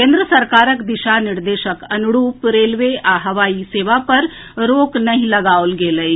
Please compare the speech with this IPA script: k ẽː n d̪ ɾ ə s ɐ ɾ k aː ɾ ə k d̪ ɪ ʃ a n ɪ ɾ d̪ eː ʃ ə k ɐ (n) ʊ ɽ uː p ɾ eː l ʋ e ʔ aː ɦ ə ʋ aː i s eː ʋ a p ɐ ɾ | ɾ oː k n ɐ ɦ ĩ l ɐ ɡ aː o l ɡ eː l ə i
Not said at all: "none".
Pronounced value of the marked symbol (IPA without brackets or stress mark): n